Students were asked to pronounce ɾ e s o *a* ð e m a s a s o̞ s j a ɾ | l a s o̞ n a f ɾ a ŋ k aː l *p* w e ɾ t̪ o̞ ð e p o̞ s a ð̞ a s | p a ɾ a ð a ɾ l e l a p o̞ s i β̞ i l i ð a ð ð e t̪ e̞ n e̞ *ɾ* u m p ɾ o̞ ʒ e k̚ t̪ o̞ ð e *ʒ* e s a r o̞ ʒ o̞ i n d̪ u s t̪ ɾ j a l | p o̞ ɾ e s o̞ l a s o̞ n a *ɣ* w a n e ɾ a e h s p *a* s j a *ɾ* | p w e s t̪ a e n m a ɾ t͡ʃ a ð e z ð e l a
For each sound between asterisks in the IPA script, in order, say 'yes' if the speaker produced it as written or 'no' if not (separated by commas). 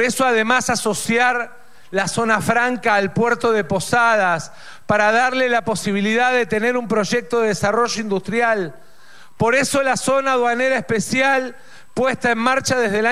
yes, yes, yes, no, no, no, no